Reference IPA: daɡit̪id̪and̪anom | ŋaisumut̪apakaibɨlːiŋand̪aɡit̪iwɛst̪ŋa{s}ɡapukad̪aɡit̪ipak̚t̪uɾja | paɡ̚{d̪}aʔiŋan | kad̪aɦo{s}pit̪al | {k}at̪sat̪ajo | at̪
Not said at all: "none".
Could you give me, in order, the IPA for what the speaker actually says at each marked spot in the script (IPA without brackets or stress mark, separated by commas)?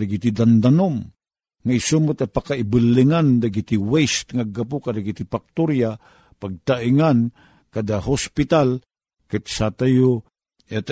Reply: none, t̪, s, k